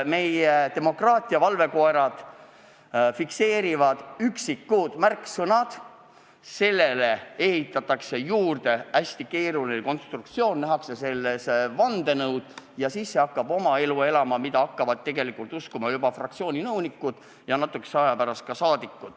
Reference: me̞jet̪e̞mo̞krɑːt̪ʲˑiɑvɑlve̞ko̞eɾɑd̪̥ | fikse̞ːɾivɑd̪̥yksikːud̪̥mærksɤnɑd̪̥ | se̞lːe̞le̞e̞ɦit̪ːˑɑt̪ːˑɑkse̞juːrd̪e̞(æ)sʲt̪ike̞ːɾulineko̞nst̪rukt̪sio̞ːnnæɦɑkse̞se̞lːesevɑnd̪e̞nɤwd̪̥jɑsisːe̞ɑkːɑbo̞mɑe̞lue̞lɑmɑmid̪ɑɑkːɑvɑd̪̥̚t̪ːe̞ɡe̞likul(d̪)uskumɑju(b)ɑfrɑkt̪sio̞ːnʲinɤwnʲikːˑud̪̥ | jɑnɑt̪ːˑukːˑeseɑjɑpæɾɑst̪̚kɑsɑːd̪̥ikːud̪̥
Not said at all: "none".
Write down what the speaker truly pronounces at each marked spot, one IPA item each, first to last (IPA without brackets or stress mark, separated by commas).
æ, t̪, b